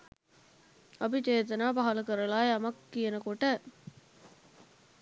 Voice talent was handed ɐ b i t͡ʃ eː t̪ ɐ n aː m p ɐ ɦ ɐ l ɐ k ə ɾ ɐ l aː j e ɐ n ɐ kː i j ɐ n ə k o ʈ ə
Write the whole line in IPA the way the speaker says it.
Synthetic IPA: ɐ b i t͡ʃ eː t̪ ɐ n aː p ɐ ɦ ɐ l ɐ k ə ɾ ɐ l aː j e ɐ m ɐ kː i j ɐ n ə k o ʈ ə